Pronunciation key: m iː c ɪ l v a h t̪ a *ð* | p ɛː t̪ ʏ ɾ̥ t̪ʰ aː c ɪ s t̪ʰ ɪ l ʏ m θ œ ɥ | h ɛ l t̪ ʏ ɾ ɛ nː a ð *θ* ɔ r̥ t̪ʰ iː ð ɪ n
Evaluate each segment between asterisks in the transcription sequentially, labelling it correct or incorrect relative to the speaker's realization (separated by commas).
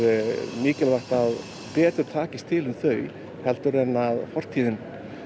correct, incorrect